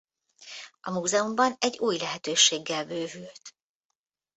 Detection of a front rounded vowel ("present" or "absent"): present